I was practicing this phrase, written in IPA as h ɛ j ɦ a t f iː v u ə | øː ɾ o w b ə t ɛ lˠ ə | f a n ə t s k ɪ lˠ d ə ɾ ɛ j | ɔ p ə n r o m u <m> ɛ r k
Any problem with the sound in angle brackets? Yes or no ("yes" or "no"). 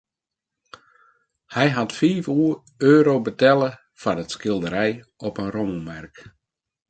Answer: no